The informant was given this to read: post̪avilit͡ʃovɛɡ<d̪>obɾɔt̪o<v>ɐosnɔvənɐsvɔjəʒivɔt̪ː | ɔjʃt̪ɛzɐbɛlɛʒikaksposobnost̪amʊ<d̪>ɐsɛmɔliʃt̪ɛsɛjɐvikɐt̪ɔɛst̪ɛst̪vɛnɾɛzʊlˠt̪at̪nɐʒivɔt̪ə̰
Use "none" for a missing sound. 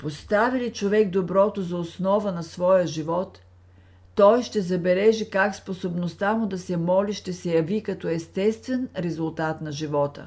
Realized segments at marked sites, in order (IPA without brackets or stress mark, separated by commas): d̪, z, d̪